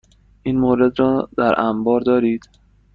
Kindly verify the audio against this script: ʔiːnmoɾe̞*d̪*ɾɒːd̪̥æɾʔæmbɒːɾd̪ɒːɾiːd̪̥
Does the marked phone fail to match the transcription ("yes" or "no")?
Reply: no